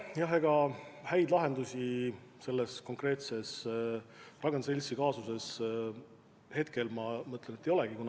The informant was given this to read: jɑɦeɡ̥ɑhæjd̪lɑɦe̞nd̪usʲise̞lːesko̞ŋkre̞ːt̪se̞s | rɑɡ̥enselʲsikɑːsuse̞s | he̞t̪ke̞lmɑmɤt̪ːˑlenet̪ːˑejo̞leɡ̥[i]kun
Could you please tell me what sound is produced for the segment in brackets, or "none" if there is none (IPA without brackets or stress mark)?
i